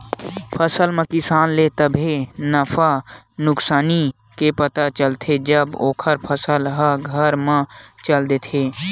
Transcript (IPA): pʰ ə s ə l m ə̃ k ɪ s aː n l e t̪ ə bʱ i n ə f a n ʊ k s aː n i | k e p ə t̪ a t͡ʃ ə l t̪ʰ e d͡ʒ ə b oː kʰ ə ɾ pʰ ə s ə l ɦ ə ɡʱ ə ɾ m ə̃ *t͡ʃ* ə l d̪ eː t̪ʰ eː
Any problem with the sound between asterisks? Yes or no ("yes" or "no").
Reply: no